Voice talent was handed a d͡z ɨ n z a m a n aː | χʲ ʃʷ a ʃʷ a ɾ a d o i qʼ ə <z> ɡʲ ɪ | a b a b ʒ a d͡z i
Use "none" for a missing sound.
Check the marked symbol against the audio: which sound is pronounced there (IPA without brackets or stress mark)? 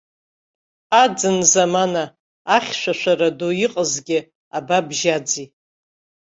z